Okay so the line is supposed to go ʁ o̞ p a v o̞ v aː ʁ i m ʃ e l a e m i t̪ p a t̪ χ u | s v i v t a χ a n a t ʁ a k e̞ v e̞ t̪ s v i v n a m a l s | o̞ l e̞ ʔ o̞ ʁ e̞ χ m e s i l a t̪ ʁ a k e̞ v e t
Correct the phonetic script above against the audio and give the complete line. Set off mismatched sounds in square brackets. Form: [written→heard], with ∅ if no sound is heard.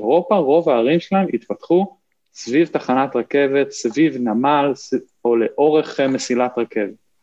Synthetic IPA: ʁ o̞ p a [v→ʁ] o̞ v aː ʁ i m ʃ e l a e m i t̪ p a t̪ χ u | s v i v t a χ a n a t ʁ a k e̞ v e̞ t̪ s v i v n a m a l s | o̞ l e̞ ʔ o̞ ʁ e̞ χ m e s i l a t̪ ʁ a k e̞ v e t